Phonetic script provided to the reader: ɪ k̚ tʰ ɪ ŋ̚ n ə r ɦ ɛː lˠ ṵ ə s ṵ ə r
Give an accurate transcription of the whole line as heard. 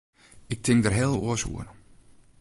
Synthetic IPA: ɪ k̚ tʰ ɪ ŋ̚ d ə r ɦ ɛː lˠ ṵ ə s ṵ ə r